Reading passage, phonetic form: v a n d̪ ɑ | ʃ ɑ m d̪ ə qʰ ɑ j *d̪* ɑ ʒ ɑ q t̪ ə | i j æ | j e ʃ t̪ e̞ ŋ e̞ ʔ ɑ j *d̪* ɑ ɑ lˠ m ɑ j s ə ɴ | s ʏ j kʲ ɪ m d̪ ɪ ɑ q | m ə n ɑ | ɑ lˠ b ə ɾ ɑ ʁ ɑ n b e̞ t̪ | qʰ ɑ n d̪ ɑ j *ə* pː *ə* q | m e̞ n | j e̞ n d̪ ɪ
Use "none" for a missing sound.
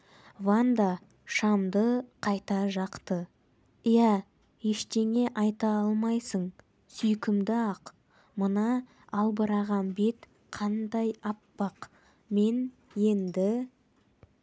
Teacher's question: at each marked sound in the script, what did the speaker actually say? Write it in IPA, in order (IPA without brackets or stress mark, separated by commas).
t̪, t̪, ɑ, ɑ